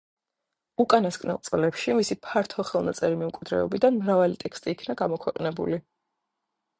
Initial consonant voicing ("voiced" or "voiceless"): voiceless